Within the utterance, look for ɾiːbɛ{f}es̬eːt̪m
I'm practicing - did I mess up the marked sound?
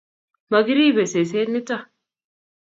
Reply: yes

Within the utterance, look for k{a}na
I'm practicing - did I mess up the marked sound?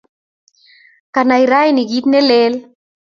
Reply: no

